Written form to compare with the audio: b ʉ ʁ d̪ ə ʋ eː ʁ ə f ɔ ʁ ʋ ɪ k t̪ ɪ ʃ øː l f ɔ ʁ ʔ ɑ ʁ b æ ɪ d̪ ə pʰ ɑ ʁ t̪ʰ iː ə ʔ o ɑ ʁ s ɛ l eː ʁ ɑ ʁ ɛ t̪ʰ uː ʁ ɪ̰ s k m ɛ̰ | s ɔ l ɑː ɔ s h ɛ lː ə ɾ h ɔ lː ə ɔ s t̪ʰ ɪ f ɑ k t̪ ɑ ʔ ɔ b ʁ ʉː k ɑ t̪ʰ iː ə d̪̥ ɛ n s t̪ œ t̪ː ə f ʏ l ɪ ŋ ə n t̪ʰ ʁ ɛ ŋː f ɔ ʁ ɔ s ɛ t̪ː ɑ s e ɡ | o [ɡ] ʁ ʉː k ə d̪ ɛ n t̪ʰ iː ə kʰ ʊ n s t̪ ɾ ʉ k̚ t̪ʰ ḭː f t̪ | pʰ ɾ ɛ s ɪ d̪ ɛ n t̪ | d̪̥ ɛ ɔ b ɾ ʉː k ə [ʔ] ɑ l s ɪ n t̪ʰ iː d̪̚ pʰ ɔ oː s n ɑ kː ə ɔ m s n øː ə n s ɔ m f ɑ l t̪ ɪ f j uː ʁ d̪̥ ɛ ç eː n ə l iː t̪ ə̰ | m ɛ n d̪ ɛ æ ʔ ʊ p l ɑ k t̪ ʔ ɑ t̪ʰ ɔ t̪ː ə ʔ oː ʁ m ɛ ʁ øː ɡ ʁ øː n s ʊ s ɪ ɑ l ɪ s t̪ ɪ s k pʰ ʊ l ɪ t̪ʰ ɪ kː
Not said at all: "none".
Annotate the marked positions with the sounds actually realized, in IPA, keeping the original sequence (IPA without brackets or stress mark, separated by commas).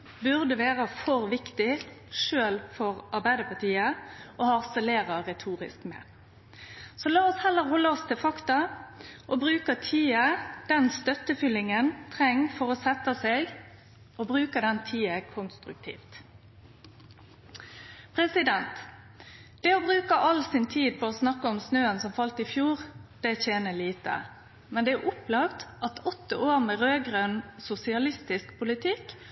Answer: b, ʔ